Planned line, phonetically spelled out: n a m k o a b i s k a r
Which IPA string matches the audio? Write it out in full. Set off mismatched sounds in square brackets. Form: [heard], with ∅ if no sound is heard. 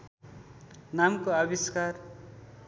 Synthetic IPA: n a m k o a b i s k a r